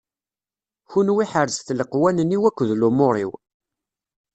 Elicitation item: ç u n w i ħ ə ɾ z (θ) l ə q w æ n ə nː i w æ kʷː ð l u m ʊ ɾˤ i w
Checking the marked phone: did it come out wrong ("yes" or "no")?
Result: no